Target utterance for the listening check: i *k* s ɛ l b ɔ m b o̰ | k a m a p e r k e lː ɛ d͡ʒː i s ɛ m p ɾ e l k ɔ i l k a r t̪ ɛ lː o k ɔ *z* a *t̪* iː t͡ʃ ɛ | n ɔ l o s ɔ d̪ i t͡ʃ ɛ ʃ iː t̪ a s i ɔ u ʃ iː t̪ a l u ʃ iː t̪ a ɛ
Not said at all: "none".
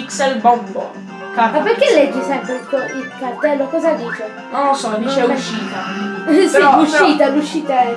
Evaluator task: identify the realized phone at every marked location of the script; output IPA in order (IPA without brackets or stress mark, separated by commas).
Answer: k, z, d̪